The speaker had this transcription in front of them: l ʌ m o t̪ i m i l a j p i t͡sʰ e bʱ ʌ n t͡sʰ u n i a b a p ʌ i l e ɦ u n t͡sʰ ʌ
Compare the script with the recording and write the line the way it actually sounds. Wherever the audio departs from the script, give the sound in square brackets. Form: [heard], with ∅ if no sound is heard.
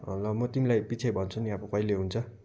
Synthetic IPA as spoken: l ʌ m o t̪ i m i l a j p i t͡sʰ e bʱ ʌ n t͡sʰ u n i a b [ʌ] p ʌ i l e ɦ u n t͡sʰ ʌ